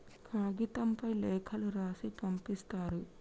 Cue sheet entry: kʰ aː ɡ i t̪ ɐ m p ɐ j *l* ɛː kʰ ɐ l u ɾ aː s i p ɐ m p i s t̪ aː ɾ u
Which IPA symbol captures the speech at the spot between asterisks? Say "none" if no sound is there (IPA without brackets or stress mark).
l